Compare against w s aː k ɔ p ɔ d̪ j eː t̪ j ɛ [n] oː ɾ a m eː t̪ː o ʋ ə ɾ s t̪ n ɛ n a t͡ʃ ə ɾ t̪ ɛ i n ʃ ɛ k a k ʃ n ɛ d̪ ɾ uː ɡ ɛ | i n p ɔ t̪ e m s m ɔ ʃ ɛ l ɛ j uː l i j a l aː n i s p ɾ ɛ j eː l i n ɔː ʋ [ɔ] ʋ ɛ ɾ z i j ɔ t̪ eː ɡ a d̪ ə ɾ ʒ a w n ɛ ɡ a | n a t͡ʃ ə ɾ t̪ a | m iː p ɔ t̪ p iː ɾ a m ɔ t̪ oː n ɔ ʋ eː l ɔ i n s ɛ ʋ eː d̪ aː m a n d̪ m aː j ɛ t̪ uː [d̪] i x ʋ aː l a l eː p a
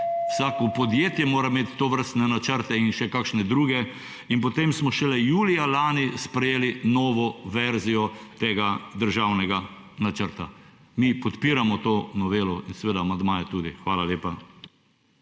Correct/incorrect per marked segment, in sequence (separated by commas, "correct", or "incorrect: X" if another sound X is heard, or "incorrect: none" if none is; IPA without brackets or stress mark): incorrect: m, correct, correct